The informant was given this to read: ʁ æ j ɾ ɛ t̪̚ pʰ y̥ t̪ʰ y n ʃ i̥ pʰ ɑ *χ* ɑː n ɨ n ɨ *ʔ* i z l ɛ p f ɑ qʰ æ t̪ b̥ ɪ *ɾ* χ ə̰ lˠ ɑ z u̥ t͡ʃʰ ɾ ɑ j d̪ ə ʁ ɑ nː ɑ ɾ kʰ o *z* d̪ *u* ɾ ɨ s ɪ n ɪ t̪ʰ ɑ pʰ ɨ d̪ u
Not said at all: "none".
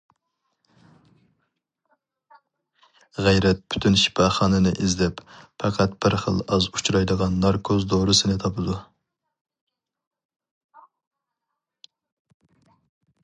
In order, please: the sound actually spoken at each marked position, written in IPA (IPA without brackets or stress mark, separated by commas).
χ, ʔ, ɾ, z, o